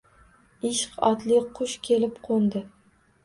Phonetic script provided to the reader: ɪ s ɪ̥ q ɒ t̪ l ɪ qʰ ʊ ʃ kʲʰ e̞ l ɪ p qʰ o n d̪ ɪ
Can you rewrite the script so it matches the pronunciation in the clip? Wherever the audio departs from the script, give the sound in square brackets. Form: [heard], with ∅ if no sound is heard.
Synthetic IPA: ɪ [ʃ] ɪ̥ q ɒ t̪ l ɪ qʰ ʊ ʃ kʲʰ e̞ l ɪ p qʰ o n d̪ ɪ